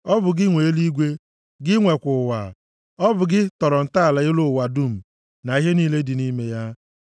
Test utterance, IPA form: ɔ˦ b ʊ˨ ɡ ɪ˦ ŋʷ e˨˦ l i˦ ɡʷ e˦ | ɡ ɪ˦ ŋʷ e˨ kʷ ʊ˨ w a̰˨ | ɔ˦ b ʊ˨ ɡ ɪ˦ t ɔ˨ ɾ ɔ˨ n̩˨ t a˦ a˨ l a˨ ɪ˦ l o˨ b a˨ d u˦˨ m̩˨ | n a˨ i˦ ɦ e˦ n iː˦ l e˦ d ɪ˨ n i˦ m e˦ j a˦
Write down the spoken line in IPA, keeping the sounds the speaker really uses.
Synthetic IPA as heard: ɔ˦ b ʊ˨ ɡ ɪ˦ ŋʷ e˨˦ l i˦ ɡʷ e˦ | ɡ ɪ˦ ŋʷ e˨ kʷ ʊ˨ w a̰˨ | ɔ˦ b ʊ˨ ɡ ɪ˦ t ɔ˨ ɾ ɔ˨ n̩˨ t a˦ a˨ l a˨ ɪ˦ l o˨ w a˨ d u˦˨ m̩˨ | n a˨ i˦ ɦ e˦ n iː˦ l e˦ d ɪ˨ n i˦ m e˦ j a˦